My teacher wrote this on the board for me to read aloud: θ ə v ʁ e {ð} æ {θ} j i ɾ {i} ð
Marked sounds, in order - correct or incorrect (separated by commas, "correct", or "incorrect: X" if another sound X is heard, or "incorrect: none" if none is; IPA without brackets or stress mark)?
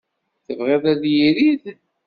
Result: correct, incorrect: ð, correct